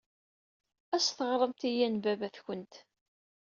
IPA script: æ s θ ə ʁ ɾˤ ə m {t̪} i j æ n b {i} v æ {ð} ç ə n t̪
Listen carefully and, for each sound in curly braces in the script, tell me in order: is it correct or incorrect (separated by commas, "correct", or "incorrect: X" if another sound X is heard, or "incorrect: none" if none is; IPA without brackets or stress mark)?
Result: correct, incorrect: æ, incorrect: θ